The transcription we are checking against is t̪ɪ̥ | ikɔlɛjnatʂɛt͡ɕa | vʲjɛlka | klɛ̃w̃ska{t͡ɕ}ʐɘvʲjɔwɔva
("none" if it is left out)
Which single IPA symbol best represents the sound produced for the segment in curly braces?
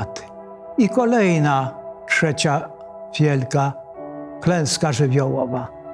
none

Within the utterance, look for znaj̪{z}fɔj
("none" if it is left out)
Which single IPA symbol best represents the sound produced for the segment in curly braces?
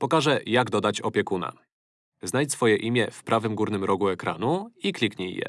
s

